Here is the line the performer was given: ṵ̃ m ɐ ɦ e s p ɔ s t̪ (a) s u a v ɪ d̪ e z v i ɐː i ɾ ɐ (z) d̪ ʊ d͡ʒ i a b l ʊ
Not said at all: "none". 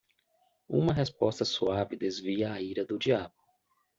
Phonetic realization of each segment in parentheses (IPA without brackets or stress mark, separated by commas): ɐ, none